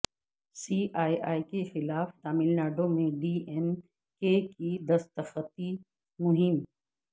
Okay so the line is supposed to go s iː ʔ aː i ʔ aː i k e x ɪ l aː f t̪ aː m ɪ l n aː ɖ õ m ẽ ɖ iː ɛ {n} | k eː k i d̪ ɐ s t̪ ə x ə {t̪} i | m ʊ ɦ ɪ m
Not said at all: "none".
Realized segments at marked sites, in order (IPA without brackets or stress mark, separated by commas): n, t̪